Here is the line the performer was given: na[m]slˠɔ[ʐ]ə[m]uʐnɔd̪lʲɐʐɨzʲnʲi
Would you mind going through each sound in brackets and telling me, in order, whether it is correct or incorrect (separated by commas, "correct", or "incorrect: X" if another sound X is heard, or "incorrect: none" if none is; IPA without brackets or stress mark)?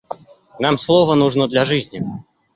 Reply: correct, incorrect: v, incorrect: n